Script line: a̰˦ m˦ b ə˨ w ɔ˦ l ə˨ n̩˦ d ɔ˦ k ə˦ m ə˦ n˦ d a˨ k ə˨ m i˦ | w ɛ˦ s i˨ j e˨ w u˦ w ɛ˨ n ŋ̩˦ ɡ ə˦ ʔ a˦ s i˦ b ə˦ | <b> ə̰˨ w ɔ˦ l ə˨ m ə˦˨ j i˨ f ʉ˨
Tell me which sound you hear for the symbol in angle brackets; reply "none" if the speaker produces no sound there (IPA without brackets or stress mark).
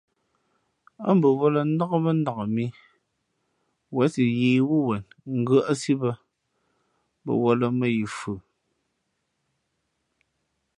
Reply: b